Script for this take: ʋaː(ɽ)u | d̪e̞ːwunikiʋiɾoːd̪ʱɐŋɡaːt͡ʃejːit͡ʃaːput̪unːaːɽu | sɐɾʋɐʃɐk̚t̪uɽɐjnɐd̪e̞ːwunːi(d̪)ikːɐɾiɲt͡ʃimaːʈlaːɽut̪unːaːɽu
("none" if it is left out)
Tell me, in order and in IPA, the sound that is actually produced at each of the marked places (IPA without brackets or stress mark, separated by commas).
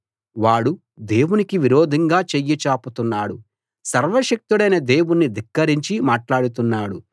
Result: ɽ, d̪